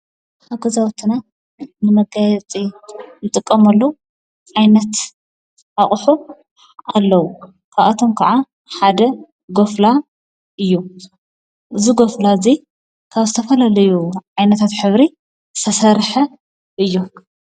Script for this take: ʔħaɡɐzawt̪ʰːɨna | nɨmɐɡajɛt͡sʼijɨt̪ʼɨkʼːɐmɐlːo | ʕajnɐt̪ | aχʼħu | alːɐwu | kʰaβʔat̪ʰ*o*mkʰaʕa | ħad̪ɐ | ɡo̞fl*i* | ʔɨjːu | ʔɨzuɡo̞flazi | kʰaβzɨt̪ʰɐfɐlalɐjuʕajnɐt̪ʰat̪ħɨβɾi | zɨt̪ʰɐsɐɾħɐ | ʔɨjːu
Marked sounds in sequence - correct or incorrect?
correct, incorrect: a

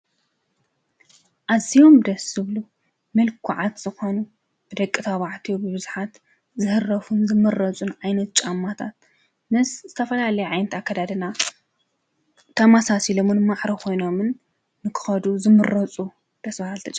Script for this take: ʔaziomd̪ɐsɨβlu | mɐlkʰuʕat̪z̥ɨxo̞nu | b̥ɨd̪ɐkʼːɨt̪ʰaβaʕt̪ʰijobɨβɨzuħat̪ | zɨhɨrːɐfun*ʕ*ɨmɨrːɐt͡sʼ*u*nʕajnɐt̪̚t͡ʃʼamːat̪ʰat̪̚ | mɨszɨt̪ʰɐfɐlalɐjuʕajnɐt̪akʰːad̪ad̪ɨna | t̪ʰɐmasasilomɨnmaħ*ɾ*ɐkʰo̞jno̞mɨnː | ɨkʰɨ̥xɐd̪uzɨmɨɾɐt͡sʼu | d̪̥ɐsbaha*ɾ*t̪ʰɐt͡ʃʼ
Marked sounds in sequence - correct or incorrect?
incorrect: z, correct, correct, incorrect: l

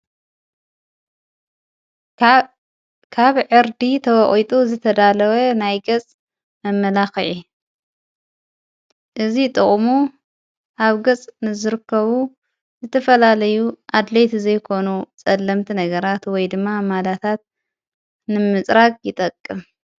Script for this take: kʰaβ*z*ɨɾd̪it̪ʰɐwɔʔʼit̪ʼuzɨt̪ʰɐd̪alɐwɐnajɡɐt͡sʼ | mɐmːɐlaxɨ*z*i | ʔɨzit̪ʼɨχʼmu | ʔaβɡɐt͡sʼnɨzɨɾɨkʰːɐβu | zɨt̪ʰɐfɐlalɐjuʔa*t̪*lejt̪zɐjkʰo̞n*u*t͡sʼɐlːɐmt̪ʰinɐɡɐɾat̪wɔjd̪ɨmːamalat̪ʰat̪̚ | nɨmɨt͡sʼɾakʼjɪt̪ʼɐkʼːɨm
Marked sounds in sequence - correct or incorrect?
incorrect: ʕ, incorrect: ʕ, incorrect: d̪, correct

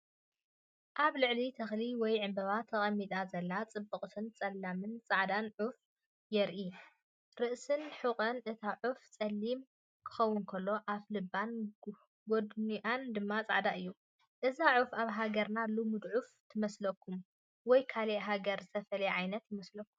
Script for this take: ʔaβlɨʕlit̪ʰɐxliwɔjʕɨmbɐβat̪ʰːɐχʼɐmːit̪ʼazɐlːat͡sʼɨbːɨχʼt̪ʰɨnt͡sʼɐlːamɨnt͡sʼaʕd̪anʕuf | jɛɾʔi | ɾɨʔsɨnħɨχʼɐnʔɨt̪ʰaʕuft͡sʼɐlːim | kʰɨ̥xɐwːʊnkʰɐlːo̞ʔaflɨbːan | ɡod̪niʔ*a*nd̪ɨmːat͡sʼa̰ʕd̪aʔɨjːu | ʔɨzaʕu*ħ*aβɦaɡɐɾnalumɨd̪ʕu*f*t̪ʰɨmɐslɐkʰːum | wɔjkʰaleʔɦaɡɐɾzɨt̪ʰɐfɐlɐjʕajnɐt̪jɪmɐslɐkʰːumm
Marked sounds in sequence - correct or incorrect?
correct, incorrect: f, correct

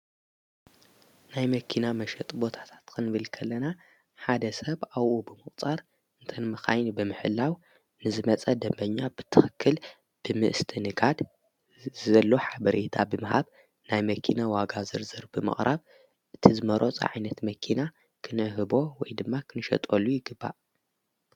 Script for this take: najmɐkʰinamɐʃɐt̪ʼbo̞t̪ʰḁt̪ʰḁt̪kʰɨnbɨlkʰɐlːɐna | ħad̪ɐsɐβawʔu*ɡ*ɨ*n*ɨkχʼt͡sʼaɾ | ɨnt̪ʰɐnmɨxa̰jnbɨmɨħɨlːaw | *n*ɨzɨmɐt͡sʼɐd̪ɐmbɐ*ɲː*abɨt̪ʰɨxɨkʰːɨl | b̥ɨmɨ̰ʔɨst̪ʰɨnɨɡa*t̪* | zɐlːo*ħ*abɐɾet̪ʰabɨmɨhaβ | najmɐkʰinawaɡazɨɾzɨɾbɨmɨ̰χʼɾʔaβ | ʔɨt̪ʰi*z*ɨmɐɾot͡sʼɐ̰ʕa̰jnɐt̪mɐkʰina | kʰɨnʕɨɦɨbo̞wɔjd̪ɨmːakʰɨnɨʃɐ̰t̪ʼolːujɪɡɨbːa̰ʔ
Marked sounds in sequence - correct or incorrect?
incorrect: b, incorrect: m, correct, correct, incorrect: d̪, correct, correct

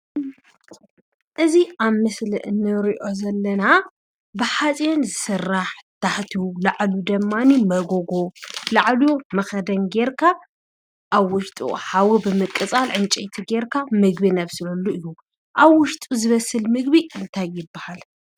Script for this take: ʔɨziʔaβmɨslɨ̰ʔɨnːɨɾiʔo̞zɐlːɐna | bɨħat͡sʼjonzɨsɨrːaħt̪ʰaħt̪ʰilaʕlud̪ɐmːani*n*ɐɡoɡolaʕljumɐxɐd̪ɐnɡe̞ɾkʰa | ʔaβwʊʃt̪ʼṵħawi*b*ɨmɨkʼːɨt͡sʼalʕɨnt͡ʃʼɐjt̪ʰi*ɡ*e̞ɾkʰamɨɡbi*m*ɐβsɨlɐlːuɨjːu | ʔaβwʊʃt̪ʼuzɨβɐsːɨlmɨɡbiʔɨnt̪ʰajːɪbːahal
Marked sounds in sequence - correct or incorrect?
incorrect: m, correct, correct, incorrect: n

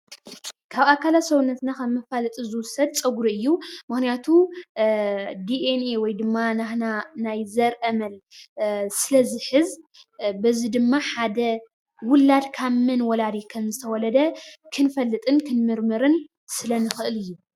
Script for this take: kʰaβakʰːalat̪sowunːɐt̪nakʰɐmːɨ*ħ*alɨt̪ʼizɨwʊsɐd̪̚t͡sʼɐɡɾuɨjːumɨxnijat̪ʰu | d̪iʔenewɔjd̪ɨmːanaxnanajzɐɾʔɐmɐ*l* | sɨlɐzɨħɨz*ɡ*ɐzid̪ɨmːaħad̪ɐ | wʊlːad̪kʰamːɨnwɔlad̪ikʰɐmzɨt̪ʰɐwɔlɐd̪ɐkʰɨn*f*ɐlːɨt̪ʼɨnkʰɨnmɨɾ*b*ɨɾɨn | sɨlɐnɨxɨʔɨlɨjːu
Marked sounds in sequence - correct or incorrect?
incorrect: f, correct, incorrect: b, correct, incorrect: m

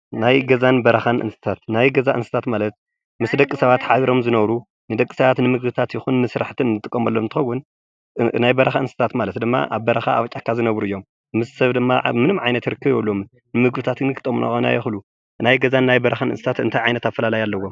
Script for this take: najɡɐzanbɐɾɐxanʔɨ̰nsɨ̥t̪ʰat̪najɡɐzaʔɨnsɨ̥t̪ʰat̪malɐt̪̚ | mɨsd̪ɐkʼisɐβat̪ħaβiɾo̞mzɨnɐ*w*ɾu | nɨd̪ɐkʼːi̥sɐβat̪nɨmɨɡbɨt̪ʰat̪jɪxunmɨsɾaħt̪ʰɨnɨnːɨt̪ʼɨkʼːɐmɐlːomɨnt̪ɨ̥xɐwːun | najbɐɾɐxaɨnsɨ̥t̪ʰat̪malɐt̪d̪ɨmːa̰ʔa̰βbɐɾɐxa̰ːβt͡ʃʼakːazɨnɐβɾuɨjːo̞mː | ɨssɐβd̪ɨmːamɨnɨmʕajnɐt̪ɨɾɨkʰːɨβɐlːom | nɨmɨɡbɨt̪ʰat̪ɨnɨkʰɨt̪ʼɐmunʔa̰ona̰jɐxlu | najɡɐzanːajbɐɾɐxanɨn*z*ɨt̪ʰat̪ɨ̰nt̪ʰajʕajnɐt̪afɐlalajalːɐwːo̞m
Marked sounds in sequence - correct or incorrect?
incorrect: β, incorrect: s

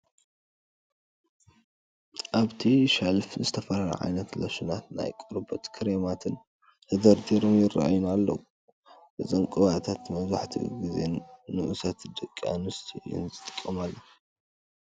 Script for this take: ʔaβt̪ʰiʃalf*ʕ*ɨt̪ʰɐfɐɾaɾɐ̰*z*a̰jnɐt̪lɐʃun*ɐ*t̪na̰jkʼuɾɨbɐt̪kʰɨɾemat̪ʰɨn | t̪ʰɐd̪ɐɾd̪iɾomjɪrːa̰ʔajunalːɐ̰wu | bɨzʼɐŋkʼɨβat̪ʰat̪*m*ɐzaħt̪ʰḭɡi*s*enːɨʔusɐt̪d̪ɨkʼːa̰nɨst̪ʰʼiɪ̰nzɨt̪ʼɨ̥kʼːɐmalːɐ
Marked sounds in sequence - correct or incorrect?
incorrect: z, incorrect: ʕ, incorrect: a, correct, incorrect: z

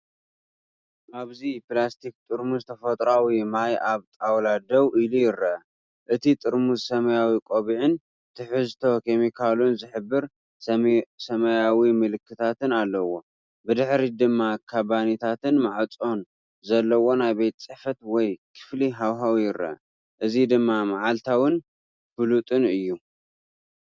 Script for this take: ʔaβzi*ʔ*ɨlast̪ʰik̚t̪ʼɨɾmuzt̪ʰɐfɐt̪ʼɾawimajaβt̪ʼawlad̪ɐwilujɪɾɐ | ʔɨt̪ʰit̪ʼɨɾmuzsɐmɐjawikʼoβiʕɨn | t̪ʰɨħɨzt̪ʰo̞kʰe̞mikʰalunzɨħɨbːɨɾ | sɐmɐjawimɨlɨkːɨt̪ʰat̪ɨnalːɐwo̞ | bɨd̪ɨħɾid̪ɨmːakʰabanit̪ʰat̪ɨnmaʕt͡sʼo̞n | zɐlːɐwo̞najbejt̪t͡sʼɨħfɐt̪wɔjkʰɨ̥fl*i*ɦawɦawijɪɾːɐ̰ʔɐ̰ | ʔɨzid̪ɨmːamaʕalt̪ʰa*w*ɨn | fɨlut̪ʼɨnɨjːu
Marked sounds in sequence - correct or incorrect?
incorrect: p, correct, correct

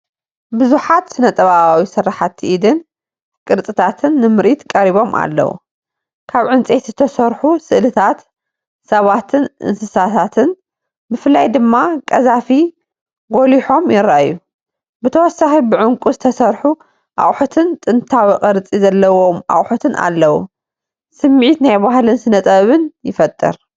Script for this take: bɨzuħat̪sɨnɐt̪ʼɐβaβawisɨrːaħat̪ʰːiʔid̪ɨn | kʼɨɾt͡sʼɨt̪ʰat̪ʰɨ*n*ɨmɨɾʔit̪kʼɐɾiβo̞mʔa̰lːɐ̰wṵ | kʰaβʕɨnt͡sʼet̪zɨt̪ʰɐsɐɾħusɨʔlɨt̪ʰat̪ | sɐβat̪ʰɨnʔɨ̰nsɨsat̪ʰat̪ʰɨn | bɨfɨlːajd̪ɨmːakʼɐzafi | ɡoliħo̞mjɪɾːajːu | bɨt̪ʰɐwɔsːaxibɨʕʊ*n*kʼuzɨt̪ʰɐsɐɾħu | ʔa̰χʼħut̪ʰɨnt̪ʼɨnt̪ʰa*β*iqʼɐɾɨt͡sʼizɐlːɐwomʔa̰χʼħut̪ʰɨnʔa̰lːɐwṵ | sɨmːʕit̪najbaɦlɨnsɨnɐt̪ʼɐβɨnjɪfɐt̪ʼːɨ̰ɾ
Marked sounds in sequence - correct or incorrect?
incorrect: nː, incorrect: ŋ, incorrect: w

